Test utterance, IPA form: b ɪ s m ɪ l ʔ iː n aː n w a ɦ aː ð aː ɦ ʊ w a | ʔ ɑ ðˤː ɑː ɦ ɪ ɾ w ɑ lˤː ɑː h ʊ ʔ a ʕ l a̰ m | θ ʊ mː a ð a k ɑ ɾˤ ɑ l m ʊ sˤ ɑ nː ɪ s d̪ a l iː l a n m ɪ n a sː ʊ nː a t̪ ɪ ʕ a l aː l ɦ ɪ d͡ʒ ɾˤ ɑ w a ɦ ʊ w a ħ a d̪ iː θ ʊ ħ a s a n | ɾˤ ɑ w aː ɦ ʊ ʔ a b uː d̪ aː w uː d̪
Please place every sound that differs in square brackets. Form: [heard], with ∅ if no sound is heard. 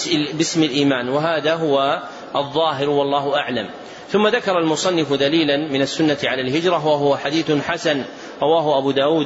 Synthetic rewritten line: b ɪ s m ɪ l ʔ iː [m] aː n w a ɦ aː ð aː ɦ ʊ w a | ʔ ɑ ðˤː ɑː ɦ ɪ ɾ w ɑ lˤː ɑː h ʊ ʔ a ʕ l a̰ m | θ ʊ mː a ð a k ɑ ɾˤ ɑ l m ʊ sˤ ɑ nː ɪ [f] d̪ a l iː l a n m ɪ n a sː ʊ nː a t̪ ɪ ʕ a l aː l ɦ ɪ d͡ʒ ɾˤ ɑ w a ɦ ʊ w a ħ a d̪ iː θ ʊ ħ a s a n | ɾˤ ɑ w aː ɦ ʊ ʔ a b uː d̪ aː w uː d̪